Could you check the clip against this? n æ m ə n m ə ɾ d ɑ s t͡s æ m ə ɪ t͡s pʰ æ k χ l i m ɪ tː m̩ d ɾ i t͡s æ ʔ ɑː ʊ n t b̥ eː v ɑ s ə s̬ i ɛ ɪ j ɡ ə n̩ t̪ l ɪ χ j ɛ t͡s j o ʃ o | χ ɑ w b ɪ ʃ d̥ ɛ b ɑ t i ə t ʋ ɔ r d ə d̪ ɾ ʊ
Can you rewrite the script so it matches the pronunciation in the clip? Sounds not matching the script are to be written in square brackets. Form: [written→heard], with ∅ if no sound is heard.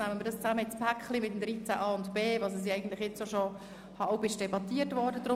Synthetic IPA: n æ m ə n m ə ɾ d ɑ s t͡s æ m ə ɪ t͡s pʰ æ k χ l i m ɪ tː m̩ d ɾ i t͡s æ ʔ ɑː ʊ n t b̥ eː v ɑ s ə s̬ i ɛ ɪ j ɡ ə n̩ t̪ l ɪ χ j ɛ t͡s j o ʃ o | [χ→h] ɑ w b ɪ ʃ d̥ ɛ b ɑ t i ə t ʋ ɔ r d ə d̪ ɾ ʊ